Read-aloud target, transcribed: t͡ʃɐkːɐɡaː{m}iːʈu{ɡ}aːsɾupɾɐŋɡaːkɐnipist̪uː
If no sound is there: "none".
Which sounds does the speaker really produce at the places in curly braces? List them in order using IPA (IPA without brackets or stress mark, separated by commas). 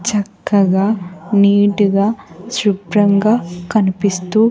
n, ɡ